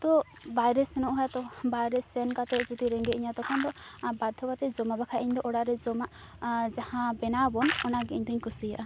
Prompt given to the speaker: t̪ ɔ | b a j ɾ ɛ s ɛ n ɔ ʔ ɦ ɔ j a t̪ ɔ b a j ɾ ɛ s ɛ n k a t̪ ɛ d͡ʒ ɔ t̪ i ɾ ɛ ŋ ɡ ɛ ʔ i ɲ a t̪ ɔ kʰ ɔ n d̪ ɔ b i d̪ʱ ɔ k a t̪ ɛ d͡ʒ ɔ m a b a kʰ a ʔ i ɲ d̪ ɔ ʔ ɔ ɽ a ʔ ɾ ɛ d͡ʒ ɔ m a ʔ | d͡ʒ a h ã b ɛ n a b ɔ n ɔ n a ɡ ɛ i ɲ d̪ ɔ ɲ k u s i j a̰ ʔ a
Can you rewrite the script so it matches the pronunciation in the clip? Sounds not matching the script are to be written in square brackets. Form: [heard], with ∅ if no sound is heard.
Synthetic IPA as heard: t̪ ɔ | b a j ɾ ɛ s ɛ n ɔ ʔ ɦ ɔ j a t̪ ɔ b a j ɾ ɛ s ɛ n k a t̪ ɛ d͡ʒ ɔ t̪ i ɾ ɛ ŋ ɡ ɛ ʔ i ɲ a t̪ ɔ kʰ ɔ n d̪ ɔ b [a] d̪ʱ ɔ k a t̪ ɛ d͡ʒ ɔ m a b a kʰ a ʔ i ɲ d̪ ɔ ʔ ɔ ɽ a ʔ ɾ ɛ d͡ʒ ɔ m a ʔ | d͡ʒ a h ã b ɛ n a b ɔ n ɔ n a ɡ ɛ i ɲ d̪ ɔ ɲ k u s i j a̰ ʔ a